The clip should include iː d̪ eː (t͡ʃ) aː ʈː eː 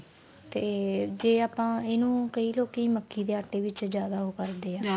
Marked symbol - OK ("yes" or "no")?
no